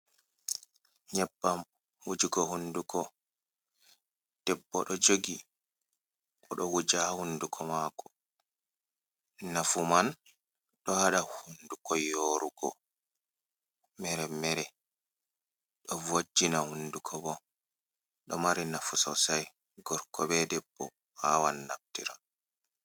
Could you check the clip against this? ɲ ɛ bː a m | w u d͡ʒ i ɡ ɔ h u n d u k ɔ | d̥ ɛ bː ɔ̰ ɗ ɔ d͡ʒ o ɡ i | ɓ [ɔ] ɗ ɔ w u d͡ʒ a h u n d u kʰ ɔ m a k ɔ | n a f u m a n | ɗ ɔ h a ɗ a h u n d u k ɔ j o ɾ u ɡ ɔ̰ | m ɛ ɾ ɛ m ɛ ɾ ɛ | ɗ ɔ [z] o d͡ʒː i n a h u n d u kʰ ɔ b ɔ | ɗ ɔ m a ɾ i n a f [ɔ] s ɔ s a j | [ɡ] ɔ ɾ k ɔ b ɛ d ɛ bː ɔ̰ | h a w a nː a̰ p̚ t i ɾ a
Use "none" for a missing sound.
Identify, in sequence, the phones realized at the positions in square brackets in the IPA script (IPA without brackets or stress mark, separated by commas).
ɔ, v, u, ɡ